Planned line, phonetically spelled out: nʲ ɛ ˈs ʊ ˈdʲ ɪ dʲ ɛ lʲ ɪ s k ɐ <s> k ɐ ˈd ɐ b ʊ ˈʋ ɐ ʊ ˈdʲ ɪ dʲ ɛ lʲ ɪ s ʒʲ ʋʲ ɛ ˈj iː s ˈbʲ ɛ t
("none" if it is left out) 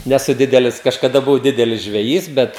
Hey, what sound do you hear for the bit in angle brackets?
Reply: ʃ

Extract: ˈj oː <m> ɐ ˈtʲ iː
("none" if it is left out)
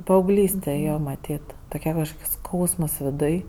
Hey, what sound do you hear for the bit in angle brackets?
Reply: m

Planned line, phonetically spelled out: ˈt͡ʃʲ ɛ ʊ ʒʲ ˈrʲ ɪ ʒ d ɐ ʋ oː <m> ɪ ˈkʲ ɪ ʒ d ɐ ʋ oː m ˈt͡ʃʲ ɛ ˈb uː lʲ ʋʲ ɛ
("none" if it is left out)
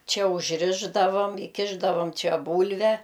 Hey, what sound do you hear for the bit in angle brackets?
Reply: m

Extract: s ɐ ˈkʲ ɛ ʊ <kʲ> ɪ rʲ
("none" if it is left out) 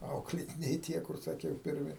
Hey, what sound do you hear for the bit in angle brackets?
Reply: pʲ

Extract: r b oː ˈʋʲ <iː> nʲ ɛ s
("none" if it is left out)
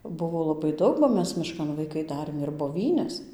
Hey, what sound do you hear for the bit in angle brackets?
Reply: iː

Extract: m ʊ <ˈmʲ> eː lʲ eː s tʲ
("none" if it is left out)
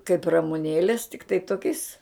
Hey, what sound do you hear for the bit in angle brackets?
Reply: nʲ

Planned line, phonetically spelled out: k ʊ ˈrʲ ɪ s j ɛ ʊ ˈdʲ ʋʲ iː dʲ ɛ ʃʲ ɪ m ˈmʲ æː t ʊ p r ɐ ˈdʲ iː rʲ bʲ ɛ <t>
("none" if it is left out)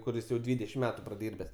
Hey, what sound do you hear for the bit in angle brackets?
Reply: s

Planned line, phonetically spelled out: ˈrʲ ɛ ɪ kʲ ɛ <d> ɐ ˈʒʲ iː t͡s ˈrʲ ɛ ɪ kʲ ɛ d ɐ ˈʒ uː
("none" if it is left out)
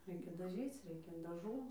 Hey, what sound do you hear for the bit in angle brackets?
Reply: d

